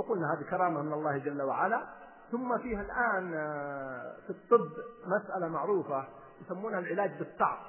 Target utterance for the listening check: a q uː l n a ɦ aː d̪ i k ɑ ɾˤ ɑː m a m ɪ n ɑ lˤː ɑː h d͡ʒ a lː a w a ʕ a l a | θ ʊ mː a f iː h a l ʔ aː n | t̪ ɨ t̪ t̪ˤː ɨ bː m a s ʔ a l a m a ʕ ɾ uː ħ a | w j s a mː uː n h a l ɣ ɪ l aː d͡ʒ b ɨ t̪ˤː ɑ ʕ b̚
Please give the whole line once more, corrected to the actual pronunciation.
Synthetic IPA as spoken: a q uː l n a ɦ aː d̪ i k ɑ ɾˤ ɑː m a m ɪ n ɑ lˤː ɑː h d͡ʒ a lː a w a ʕ a l a | θ ʊ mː a f iː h a l ʔ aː n | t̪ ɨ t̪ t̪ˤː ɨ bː m a s ʔ a l a m a ʕ ɾ uː f a | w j s a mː uː n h a l ʕ ɪ l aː d͡ʒ b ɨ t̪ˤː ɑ ʕ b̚